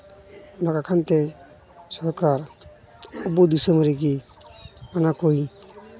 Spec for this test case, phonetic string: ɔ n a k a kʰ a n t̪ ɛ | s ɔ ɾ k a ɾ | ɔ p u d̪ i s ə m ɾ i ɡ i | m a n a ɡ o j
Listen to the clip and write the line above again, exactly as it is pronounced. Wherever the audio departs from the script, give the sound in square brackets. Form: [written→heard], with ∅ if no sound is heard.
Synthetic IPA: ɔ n a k a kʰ a n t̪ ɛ | s ɔ ɾ k a ɾ | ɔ [p→b] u d̪ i s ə m ɾ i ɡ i | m a n a [ɡ→k] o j